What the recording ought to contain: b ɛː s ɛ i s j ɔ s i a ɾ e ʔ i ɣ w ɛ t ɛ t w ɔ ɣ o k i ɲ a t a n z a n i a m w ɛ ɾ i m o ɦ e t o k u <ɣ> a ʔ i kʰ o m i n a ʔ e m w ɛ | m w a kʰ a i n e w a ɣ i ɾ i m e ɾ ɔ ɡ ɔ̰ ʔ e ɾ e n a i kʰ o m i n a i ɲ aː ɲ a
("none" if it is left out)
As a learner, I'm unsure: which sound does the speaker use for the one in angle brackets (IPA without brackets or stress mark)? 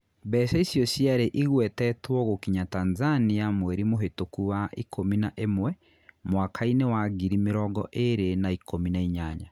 w